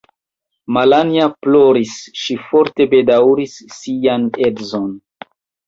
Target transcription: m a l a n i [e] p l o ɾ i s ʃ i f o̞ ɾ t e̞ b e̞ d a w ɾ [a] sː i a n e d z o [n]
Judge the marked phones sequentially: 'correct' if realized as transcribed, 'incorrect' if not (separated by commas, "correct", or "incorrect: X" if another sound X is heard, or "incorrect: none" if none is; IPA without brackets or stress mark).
incorrect: a, incorrect: i, correct